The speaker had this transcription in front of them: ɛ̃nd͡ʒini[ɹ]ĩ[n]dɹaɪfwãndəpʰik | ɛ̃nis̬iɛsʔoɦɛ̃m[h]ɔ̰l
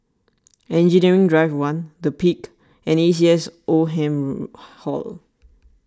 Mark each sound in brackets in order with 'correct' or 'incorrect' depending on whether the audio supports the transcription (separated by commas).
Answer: correct, incorrect, correct